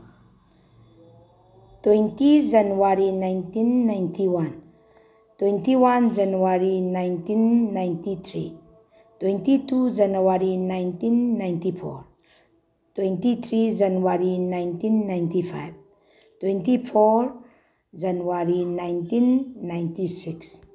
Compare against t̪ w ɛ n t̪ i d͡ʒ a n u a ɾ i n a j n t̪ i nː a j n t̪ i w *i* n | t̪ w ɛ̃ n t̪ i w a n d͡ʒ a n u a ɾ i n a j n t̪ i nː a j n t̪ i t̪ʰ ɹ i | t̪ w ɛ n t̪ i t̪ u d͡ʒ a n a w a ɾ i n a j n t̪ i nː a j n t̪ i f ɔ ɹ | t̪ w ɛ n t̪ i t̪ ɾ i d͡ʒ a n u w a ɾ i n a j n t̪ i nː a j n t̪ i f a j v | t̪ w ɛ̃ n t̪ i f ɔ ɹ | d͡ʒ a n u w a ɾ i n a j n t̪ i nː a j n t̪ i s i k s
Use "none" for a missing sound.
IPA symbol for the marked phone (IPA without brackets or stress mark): a